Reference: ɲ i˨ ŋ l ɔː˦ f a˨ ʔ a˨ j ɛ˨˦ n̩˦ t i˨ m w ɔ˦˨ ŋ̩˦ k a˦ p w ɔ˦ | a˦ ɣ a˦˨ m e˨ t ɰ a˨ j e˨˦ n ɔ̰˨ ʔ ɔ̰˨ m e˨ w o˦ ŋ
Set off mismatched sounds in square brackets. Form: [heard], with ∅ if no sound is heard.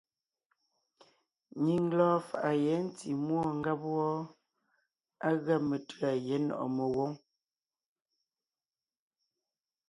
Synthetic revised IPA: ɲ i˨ ŋ l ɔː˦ f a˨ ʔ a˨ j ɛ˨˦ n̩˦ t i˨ m w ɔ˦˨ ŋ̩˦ [ɡ] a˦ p w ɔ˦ | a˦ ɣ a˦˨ m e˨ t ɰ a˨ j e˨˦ n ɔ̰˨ ʔ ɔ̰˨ m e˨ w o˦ ŋ